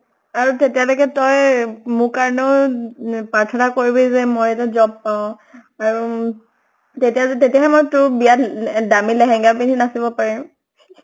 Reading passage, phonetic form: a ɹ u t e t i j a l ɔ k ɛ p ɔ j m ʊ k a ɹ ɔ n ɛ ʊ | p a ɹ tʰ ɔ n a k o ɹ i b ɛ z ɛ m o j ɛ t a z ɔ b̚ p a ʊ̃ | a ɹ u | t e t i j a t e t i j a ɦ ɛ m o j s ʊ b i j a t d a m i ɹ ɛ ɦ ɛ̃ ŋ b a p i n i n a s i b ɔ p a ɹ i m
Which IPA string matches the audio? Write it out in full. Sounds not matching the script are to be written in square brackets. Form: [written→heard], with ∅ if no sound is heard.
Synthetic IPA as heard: a ɹ u t e t i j a l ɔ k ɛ [p→t] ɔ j m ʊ k a ɹ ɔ n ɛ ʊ | p a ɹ tʰ ɔ n a k o ɹ i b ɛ z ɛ m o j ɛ t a z ɔ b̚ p a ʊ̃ | a ɹ u | t e t i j a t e t i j a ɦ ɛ m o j [s→t] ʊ b i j a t d a m i [ɹ→l] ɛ ɦ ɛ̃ ŋ [b→ɡ] a p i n i n a s i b ɔ p a ɹ i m